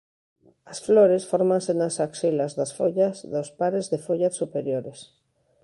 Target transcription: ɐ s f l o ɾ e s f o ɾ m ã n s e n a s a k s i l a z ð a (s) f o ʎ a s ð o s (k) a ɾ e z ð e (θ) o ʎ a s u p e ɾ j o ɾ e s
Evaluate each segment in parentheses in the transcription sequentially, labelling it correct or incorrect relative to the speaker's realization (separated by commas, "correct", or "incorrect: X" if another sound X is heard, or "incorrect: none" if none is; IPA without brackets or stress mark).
correct, incorrect: p, incorrect: f